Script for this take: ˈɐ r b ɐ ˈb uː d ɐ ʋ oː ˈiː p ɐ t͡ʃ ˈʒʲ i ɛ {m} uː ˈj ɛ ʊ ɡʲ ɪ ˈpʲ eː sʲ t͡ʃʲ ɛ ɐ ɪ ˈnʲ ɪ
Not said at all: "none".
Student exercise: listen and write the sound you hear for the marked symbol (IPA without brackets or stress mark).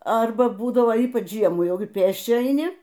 m